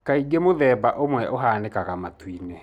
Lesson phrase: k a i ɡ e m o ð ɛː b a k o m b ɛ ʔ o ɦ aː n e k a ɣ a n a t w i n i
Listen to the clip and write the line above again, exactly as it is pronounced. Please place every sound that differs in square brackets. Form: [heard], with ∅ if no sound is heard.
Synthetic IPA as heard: k a i ɡ e m o ð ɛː b a [ʔ] o m [w] ɛ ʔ o ɦ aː n e k a ɣ a [m] a t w i n [e]